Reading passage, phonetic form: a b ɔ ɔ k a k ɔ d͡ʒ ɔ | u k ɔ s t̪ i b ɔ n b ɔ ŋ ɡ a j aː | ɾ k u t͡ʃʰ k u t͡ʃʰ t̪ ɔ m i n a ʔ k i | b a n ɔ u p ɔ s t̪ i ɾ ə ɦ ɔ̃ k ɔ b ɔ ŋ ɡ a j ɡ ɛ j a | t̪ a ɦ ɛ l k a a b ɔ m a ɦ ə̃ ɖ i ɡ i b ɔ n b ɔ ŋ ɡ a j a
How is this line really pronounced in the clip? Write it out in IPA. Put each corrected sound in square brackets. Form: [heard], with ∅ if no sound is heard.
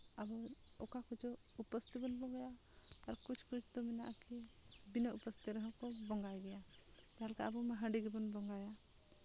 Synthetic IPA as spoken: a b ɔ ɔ k a k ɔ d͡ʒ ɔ | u [p] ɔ s t̪ i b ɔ n b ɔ ŋ ɡ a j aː | ɾ k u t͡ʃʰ k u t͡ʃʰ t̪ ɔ m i n a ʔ k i | b [i] n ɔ u p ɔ s t̪ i ɾ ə ɦ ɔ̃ k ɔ b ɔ ŋ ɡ a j ɡ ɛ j a | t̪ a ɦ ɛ l k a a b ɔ m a ɦ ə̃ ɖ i ɡ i b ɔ n b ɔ ŋ ɡ a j a